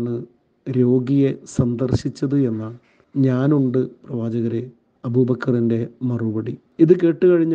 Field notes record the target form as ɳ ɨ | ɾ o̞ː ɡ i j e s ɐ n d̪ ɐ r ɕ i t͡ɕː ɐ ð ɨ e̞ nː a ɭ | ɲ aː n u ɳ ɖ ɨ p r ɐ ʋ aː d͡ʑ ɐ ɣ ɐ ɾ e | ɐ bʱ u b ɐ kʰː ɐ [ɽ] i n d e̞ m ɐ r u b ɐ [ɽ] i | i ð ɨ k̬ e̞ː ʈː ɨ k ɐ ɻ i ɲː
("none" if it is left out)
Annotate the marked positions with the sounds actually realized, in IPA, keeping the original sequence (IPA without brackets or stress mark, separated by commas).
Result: r, ɽ